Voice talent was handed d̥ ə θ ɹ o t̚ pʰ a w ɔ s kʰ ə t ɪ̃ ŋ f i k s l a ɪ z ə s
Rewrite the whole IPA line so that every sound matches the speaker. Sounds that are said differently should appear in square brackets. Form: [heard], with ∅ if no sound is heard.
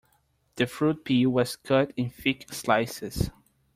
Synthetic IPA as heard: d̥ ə [f] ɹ [u] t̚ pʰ [i] w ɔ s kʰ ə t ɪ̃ [n] f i k s l a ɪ [s] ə s